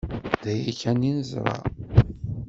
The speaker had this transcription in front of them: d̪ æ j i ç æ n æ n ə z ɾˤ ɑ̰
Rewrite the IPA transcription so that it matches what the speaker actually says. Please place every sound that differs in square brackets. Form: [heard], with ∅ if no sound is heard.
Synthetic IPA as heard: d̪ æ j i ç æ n [i] n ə z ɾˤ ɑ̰